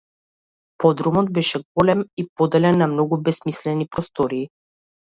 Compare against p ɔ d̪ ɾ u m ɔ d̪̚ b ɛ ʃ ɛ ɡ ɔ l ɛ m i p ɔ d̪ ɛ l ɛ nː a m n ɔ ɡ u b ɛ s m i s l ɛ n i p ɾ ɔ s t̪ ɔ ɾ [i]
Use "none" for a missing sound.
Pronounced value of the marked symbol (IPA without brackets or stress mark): iː